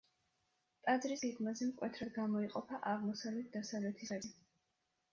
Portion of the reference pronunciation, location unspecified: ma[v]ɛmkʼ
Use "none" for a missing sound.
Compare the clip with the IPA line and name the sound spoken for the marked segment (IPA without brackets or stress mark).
z